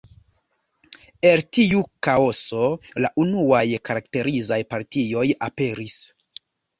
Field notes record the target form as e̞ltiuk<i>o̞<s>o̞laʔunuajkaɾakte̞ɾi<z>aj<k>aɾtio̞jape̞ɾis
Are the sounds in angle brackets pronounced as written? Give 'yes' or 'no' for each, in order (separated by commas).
no, yes, yes, no